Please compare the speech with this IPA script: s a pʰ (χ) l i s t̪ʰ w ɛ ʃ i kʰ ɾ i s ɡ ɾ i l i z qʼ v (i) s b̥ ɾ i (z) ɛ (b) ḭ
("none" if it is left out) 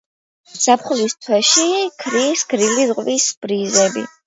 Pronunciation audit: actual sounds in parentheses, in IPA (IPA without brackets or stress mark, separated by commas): χ, i, z, b